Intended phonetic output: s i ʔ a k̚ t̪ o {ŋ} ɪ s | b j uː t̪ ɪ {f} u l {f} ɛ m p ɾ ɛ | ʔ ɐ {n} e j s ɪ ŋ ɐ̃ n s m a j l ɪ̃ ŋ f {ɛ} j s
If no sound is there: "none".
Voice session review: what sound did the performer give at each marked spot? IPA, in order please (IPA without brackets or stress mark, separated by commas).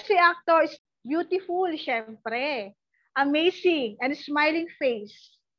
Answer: none, f, ʃ, m, e